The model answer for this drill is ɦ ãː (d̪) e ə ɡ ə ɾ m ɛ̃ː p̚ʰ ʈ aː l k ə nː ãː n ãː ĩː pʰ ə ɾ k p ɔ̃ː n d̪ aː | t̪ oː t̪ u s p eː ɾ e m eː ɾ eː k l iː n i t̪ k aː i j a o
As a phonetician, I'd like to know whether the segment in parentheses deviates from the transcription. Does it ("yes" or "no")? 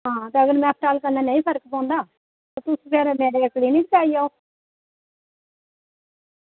yes